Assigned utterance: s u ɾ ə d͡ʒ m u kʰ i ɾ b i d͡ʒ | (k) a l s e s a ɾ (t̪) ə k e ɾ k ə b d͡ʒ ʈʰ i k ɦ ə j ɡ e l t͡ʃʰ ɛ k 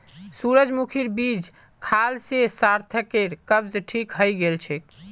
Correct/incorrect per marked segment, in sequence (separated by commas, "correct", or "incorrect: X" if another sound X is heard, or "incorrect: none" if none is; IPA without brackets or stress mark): incorrect: kʰ, incorrect: t̪ʰ